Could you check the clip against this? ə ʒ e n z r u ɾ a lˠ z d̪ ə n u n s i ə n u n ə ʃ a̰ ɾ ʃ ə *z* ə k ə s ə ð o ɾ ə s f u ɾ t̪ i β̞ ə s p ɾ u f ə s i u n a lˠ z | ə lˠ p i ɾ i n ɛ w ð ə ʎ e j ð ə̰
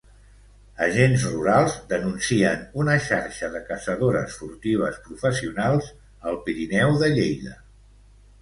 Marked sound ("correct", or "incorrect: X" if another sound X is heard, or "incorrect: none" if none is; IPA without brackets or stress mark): incorrect: ð